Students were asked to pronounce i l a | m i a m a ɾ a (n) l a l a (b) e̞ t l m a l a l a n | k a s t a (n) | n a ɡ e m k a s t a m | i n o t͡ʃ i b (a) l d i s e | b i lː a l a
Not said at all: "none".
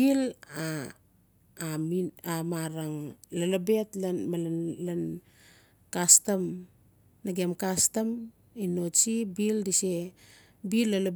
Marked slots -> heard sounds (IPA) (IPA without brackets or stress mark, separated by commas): ŋ, b, m, i